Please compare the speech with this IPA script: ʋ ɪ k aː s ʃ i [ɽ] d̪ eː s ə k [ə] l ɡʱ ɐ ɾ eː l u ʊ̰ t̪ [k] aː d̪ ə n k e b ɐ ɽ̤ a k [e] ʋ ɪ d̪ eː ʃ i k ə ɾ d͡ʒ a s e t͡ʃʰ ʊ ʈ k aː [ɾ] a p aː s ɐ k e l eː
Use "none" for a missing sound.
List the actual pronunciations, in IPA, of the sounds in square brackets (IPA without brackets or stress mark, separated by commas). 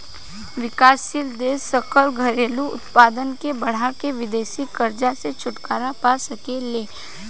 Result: l, ə, p, e, ɾ